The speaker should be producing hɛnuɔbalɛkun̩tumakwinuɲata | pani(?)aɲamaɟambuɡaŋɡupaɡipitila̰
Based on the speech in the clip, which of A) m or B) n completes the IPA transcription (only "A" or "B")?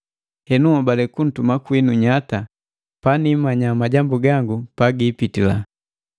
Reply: A